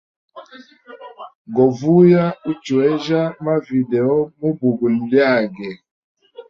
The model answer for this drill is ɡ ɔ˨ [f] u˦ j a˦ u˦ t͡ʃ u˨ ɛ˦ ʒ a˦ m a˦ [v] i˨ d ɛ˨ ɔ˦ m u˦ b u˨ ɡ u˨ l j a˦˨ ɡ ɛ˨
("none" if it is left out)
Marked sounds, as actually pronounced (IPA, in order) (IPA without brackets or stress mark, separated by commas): v, v